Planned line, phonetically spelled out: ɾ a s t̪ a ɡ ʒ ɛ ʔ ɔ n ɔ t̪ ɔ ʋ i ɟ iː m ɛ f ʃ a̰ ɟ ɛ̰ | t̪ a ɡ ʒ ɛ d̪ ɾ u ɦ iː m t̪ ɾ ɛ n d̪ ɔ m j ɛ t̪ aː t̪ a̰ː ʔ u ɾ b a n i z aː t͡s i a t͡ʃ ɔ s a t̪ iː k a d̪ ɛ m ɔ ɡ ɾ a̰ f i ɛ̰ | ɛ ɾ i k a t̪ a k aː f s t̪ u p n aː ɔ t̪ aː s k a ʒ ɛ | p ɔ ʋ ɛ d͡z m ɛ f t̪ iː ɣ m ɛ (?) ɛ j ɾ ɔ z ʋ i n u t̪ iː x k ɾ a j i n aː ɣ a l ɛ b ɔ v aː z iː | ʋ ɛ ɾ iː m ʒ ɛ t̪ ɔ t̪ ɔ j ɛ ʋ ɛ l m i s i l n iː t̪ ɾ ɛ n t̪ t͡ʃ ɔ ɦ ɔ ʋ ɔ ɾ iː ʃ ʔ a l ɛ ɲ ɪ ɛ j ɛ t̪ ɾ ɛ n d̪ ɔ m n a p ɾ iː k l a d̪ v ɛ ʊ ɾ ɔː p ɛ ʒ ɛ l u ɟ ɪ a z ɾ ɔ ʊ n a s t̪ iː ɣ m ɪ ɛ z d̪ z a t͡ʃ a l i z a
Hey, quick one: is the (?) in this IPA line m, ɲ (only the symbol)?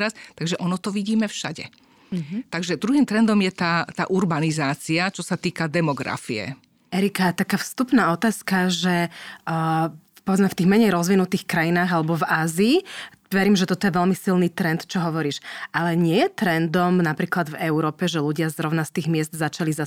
ɲ